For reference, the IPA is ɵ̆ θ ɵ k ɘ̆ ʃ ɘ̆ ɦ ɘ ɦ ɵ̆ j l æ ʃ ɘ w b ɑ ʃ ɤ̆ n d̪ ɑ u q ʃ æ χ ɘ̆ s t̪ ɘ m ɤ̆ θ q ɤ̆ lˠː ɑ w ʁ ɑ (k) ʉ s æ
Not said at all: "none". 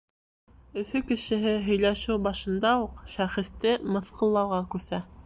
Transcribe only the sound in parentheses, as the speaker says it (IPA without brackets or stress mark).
k